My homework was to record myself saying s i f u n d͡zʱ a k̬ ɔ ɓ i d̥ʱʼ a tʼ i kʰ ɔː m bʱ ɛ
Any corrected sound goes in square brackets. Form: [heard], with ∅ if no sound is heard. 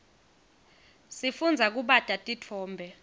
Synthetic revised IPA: s i f u n d͡zʱ a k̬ [u] ɓ [a] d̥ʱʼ a tʼ i [tʰ] ɔː m bʱ ɛ

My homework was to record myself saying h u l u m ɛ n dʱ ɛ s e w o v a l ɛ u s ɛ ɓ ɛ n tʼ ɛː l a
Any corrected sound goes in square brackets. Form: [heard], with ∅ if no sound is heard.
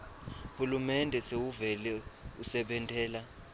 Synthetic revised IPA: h u l u m ɛ n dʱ ɛ s e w [u] v [ɛ] l ɛ u s ɛ ɓ ɛ n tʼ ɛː l a

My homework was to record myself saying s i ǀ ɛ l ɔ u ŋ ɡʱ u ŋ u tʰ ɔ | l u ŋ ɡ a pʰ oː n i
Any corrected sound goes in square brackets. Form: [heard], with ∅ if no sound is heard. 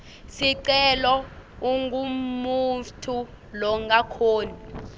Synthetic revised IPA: s i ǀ ɛ l ɔ u ŋ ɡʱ u [m] u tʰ [u] | l [ɔ] ŋ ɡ a [kʰ] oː n i

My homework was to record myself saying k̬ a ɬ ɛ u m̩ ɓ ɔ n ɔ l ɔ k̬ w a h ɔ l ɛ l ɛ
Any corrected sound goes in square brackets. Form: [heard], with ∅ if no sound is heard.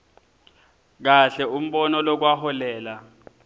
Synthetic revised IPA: k̬ a ɬ ɛ u m̩ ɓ ɔ n ɔ l ɔ k̬ w a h ɔ l [ɛː] l [a]

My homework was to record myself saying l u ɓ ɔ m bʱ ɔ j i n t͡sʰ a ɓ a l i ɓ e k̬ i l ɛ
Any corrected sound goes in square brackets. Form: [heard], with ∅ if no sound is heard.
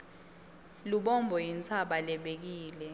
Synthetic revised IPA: l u ɓ ɔ m bʱ ɔ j i n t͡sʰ a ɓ a l [ɛ] ɓ e k̬ [iː] l ɛ

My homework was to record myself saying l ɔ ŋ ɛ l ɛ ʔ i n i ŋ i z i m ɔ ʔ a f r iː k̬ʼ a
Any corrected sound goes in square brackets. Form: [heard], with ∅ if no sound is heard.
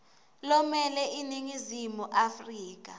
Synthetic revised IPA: l ɔ [m] ɛ l ɛ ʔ i n i ŋ i z i m [u] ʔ a f r iː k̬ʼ a

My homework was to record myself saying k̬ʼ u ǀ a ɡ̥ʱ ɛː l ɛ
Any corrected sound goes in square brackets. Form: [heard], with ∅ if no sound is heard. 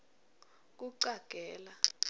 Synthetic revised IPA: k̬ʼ u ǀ a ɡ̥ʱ ɛː l [a]

